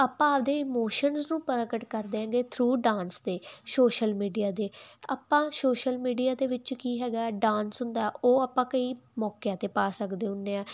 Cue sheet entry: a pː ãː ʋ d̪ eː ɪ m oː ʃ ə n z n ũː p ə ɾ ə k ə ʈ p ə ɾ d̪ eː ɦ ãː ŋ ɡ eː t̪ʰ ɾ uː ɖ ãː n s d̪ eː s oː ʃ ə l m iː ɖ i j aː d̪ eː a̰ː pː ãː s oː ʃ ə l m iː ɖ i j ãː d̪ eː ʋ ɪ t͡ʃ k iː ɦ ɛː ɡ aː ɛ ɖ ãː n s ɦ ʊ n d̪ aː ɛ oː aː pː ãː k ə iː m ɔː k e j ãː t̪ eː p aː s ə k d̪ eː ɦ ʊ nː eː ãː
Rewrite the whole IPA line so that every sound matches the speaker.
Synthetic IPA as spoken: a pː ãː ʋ d̪ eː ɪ m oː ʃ ə n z n ũː p ə ɾ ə k ə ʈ k ə ɾ d̪ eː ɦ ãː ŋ ɡ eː t̪ʰ ɾ uː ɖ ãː n s d̪ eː s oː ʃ ə l m iː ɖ i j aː d̪ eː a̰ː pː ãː s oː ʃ ə l m iː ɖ i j aː d̪ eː ʋ ɪ t͡ʃ k iː ɦ ɛː ɡ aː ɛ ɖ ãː n s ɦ ʊ n d̪ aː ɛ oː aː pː ãː k ə iː m ɔː k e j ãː t̪ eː p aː s ə k d̪ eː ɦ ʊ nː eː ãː